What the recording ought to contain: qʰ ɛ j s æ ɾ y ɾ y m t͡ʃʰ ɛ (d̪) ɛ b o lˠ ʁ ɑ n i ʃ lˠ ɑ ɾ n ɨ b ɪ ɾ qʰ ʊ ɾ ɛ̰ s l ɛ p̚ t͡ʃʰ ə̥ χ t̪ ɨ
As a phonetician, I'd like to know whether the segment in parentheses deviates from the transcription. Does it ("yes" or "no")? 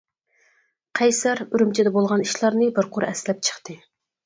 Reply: no